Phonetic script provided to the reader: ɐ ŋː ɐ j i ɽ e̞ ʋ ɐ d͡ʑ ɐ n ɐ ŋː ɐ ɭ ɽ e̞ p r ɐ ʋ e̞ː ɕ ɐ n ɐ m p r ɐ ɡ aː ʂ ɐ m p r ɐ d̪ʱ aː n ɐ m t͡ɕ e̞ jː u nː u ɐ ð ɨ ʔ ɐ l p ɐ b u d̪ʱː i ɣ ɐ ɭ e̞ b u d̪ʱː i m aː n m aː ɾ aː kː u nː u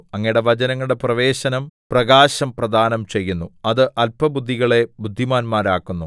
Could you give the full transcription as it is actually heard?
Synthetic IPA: ɐ ŋː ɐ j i ɽ e̞ ʋ ɐ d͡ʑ ɐ n ɐ ŋː ɐ ɭ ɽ e̞ p r ɐ ʋ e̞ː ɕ ɐ n ɐ m p r ɐ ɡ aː ɕ ɐ m p r ɐ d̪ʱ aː n ɐ m t͡ɕ e̞ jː u nː u ɐ ð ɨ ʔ ɐ l p ɐ b u d̪ʱː i ɣ ɐ ɭ e̞ b u d̪ʱː i m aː n m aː ɾ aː kː u nː u